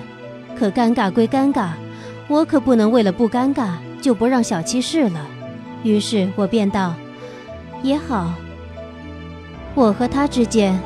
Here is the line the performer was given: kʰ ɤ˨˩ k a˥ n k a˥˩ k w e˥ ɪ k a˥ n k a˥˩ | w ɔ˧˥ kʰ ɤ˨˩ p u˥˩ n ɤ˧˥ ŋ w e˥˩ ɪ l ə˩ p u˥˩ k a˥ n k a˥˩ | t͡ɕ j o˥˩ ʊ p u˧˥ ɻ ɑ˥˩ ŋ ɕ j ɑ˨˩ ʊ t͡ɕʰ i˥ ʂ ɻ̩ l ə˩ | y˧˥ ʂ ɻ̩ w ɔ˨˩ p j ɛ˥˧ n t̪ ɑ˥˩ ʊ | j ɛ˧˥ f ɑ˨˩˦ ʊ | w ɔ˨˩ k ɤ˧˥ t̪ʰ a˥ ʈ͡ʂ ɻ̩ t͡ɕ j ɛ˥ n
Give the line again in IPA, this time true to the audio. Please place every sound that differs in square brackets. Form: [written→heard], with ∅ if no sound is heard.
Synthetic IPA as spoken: kʰ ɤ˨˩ k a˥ n k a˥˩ k w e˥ ɪ k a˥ n k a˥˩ | w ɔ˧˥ kʰ ɤ˨˩ p u˥˩ n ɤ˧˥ ŋ w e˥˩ ɪ l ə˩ p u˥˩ k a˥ n k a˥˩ | t͡ɕ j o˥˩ ʊ p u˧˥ ɻ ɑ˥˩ ŋ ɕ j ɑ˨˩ ʊ t͡ɕʰ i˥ ʂ ɻ̩ l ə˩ | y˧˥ ʂ ɻ̩ w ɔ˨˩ p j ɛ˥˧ n t̪ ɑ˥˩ ʊ | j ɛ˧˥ [f→x] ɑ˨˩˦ ʊ | w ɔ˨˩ [k→x] ɤ˧˥ t̪ʰ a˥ ʈ͡ʂ ɻ̩ t͡ɕ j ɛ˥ n